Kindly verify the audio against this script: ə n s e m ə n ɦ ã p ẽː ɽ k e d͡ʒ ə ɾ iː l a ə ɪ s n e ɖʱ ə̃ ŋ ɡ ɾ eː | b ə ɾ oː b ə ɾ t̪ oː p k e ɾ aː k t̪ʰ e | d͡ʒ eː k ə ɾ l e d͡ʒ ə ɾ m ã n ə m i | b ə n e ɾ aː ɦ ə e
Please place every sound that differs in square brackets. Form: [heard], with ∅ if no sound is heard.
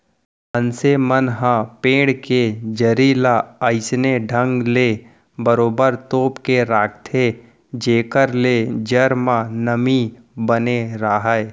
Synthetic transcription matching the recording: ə n s e m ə n ɦ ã p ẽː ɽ k e d͡ʒ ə ɾ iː l a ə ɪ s n e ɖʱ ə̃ ŋ ɡ [l] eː | b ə ɾ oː b ə ɾ t̪ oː p k e ɾ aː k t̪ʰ e | d͡ʒ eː k ə ɾ l e d͡ʒ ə ɾ m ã n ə m i | b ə n e ɾ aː ɦ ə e